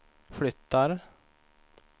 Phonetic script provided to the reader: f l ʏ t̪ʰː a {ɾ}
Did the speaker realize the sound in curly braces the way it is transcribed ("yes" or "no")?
yes